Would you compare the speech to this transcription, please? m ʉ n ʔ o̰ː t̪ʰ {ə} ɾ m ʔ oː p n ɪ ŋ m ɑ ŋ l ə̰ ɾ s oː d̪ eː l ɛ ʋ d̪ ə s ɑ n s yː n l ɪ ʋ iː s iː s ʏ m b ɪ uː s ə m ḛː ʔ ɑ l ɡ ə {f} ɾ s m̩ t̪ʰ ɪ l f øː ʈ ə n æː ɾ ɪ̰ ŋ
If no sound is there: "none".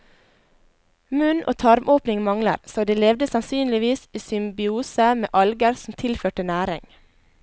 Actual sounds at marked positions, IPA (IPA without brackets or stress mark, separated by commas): ɑ, none